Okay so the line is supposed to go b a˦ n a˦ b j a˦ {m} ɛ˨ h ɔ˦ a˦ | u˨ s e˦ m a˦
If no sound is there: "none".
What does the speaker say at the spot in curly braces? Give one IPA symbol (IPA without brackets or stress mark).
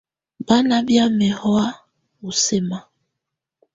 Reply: m